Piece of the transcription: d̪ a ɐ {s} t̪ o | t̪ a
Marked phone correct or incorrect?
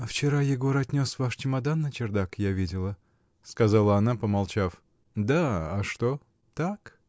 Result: incorrect